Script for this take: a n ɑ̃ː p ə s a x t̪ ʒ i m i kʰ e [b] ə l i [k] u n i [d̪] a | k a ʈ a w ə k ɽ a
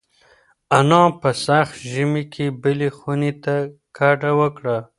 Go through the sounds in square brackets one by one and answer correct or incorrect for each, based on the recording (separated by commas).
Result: correct, incorrect, incorrect